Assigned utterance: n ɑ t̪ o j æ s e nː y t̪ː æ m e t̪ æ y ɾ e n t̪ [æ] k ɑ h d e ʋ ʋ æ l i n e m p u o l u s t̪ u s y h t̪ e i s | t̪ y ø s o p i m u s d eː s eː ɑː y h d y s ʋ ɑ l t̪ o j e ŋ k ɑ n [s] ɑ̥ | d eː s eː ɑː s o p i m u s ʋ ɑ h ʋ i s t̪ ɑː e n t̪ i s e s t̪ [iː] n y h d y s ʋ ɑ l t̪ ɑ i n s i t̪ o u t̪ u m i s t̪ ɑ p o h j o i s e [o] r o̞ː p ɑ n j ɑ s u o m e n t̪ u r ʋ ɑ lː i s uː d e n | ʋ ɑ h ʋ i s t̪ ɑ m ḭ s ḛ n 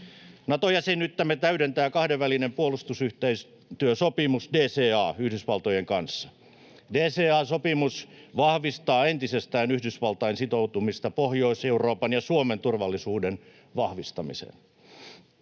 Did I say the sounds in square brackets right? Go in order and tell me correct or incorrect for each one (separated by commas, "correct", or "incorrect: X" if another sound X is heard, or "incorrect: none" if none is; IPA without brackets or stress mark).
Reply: incorrect: æː, incorrect: sː, incorrect: æː, incorrect: u